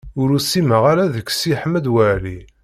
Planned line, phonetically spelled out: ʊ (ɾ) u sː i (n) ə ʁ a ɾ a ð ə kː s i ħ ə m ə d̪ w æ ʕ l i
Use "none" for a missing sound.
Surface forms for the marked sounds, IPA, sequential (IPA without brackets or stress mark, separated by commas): ɾ, m